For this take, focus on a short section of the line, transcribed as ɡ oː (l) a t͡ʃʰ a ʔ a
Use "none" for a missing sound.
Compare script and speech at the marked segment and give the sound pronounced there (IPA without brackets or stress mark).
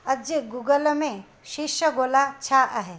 l